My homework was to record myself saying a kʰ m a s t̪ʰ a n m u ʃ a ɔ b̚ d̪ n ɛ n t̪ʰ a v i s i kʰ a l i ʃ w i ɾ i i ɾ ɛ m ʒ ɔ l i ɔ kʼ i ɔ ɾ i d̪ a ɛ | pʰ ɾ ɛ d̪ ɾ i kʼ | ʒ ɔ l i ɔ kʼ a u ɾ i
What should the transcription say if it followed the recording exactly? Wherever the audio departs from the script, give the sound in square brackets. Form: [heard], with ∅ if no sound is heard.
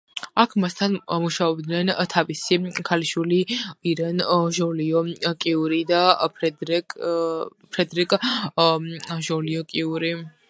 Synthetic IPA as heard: a kʰ m a s t̪ʰ a n m u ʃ a ɔ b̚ d̪ n ɛ n t̪ʰ a v i s i kʰ a l i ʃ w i [l] i i ɾ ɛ [n] ʒ ɔ l i ɔ kʼ i [u] ɾ i d̪ a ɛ | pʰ ɾ ɛ d̪ ɾ i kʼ | ʒ ɔ l i ɔ kʼ [i] u ɾ i